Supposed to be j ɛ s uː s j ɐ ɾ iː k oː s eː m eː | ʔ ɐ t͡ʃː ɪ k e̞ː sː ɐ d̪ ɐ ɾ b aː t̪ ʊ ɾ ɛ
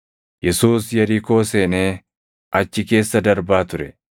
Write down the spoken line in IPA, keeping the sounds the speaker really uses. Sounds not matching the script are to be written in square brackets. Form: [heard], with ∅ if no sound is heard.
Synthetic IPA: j ɛ s uː s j ɐ ɾ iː k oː s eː [n] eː | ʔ ɐ t͡ʃː ɪ k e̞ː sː ɐ d̪ ɐ ɾ b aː t̪ ʊ ɾ ɛ